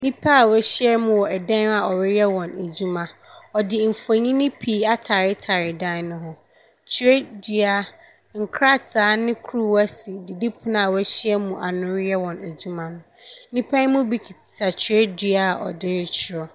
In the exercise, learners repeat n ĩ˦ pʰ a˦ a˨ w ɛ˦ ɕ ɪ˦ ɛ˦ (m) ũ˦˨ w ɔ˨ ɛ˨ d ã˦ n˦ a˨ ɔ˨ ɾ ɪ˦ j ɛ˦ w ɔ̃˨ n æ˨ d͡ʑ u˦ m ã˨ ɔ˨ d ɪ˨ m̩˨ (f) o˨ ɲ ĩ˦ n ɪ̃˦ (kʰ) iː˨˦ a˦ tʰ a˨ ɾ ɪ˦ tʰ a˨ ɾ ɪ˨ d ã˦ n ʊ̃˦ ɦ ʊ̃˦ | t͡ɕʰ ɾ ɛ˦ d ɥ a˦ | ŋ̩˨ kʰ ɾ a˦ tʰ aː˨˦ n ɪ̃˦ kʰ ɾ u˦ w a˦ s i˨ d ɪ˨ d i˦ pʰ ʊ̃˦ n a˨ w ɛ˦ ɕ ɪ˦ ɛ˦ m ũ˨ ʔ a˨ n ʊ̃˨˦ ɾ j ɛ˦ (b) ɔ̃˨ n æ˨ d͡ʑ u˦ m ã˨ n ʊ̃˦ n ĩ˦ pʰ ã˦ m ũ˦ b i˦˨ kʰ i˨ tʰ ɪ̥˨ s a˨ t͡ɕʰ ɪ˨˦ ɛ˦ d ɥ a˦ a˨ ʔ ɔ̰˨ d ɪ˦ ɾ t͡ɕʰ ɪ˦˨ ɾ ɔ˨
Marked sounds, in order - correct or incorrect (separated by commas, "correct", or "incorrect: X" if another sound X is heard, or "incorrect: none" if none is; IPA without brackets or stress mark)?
correct, correct, incorrect: pʰ, incorrect: w